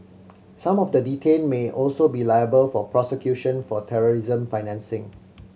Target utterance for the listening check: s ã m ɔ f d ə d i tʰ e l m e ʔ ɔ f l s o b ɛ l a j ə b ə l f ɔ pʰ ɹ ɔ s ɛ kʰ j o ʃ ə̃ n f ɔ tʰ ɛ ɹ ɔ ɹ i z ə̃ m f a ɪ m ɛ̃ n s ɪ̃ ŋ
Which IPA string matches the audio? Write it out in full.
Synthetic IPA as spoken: s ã m ɔ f d ə d i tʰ e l m e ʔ ɔ l s o b i l a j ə b ə l f ɔ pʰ ɹ ɔ s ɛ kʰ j u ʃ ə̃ n f ɔ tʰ ɛ ɹ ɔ ɹ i z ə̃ m f a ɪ n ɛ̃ n s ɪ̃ ŋ